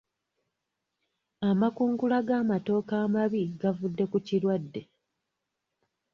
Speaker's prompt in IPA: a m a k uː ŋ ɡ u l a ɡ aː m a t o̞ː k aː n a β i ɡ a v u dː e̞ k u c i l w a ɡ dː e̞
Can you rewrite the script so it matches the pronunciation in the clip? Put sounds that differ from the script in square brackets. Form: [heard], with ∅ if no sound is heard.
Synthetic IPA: a m a k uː ŋ ɡ u l a ɡ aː m a t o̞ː k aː [m] a β i ɡ a v u dː e̞ k u c i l w a [∅] dː e̞

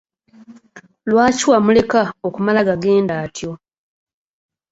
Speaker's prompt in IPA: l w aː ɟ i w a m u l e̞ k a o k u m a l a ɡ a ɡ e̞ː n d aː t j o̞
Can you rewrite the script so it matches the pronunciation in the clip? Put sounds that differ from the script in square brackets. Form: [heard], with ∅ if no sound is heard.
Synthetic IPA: l w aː [c] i w a m u l e̞ k a o k u m a l a ɡ a ɡ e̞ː n d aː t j o̞

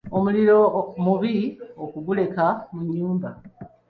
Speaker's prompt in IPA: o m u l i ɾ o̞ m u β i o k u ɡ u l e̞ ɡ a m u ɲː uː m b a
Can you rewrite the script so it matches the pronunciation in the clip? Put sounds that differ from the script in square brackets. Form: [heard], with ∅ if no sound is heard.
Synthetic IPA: o m u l i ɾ o̞ m u β i o k u ɡ u l e̞ [k] a m u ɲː uː m b a

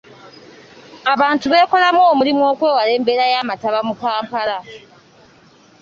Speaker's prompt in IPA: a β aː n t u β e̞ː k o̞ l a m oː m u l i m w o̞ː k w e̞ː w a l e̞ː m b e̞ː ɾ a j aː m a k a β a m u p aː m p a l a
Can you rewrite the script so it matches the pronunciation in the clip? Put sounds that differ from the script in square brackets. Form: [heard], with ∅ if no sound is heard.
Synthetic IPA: a β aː n t u β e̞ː k o̞ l a m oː m u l i m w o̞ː k w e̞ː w a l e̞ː m b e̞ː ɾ a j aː m a [t] a β a m u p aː m p a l a

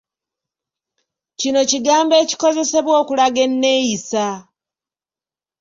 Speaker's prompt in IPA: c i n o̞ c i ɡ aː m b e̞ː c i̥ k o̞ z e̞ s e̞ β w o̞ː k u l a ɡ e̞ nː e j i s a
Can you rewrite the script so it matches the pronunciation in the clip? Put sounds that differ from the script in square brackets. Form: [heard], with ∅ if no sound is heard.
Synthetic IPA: c i n o̞ c i ɡ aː m b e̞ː c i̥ k o̞ z e̞ s e̞ β w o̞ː k u l a ɡ e̞ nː e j i s a

